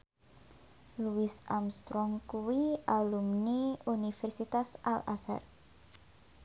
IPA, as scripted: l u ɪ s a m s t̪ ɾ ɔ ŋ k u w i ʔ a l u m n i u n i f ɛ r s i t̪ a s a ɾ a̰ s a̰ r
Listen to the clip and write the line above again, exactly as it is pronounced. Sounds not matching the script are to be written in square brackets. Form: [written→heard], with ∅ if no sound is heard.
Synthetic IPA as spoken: l u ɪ s a m s t̪ ɾ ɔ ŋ k u w i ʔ a l u m n i u n i f ɛ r s i t̪ a s a [ɾ→l] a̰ s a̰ r